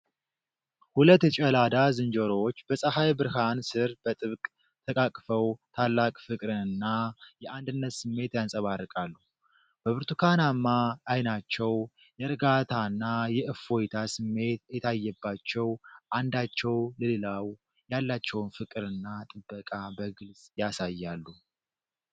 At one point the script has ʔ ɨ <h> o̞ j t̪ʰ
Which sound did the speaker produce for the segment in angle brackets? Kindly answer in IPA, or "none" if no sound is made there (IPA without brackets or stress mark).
f